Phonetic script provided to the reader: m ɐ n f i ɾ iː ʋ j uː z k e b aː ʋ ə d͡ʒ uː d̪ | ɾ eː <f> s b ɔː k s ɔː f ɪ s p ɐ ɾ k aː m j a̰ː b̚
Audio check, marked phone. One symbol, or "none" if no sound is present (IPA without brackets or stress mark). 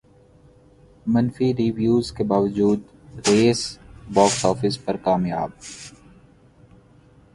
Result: none